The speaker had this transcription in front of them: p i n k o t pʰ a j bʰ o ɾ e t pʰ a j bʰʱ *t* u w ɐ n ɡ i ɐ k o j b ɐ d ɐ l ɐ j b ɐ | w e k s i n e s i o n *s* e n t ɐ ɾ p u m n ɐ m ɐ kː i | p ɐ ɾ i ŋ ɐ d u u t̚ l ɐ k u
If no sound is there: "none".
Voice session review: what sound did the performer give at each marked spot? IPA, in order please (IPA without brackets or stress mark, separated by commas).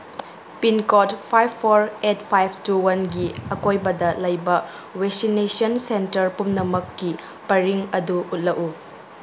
t, s